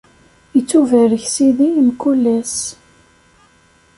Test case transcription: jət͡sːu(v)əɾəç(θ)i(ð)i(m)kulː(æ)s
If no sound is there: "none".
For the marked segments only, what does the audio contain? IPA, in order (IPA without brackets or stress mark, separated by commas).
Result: v, s, ð, m, æ